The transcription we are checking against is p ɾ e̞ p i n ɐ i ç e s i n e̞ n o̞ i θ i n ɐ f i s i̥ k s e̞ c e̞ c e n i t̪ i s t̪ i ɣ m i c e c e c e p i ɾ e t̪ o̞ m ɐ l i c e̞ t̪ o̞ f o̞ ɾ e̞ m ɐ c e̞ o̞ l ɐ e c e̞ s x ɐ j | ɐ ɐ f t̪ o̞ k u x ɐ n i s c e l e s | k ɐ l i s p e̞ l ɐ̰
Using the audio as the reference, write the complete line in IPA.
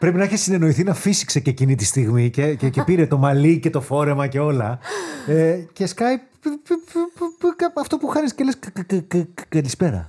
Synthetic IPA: p ɾ e̞ p i n ɐ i ç e s i n e̞ n o̞ i θ i n ɐ f i s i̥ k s e̞ c e̞ c i n i t̪ i s t̪ i ɣ m i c e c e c e p i ɾ e t̪ o̞ m ɐ l i c e̞ t̪ o̞ f o̞ ɾ e̞ m ɐ c e̞ o̞ l ɐ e c e̞ s k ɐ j | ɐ ɐ f t̪ o̞ p u x ɐ n i s c e l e s | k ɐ l i s p e̞ ɾ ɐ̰